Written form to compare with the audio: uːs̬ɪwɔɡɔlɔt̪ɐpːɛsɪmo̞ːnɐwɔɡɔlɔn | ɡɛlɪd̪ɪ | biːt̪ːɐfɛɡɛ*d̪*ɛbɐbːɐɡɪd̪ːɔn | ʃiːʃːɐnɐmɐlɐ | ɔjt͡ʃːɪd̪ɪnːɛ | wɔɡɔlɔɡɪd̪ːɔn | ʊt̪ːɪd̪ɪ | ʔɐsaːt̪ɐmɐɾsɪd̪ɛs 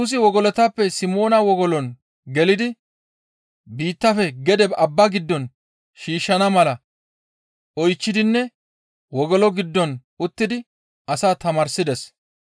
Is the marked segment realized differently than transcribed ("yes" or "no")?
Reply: no